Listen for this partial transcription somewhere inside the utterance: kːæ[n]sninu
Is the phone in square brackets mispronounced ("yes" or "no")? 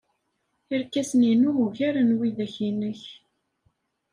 yes